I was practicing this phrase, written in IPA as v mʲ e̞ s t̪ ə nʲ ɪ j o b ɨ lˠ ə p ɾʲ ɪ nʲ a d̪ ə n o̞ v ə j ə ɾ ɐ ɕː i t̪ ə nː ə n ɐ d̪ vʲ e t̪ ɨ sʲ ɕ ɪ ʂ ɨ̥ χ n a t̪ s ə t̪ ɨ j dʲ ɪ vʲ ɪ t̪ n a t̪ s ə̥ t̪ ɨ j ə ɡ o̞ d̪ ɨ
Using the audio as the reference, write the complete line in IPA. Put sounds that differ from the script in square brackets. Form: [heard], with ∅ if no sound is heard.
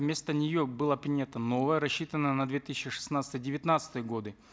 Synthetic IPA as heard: v mʲ e̞ s t̪ ə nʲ ɪ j o b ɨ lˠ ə p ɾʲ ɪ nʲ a [t̪] ə n o̞ v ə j ə ɾ ɐ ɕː i t̪ ə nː ə n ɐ d̪ vʲ e t̪ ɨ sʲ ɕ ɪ ʂ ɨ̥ [s] n a t̪ s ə t̪ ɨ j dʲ ɪ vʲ ɪ t̪ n a t̪ s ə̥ t̪ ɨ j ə ɡ o̞ d̪ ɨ